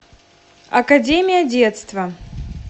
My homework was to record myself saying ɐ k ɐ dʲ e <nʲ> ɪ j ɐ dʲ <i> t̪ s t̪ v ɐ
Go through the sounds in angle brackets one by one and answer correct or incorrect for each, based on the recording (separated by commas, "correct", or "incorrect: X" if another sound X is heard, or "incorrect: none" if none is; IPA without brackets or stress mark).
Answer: incorrect: mʲ, incorrect: e